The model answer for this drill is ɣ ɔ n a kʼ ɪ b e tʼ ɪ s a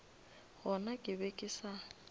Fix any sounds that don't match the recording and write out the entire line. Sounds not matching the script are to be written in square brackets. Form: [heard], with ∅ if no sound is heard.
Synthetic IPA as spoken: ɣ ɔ n a kʼ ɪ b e [kʼ] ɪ s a